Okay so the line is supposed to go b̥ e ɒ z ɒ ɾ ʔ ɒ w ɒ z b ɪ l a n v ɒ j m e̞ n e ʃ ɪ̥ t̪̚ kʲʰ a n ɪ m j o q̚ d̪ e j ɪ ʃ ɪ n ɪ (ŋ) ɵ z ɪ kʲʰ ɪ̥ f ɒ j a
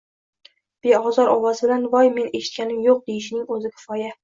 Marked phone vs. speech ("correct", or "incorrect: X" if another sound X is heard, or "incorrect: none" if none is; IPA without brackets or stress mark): correct